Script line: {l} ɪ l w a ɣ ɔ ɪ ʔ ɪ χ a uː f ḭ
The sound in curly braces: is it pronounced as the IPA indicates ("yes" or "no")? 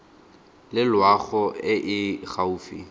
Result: yes